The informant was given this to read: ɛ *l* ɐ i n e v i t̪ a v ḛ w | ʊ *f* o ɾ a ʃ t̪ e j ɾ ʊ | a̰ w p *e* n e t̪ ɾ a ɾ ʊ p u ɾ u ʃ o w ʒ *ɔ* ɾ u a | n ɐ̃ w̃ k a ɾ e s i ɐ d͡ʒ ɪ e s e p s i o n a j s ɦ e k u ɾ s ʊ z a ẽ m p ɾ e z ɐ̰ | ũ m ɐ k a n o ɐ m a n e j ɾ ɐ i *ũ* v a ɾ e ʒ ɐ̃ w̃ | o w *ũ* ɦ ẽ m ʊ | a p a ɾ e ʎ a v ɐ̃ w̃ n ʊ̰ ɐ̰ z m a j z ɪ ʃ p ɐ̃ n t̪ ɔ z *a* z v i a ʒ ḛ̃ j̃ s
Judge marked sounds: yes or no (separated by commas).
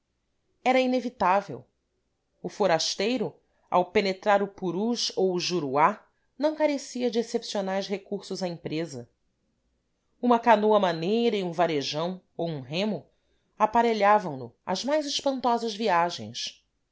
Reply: no, yes, yes, no, yes, yes, no